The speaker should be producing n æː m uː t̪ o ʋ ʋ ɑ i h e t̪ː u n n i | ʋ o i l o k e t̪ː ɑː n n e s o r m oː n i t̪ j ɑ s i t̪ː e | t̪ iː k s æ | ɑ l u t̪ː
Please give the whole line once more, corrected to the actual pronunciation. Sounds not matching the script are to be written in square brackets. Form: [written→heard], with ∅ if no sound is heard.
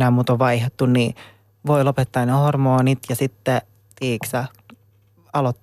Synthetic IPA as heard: n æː m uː t̪ o ʋ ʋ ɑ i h e t̪ː u n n i | ʋ o i l o [k→p] e t̪ː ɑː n n e [s→h] o r m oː n i t̪ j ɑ s i t̪ː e | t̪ iː k s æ | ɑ l [u→o] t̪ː